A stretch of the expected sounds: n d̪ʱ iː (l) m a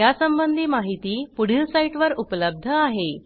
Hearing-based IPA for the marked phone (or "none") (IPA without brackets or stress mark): none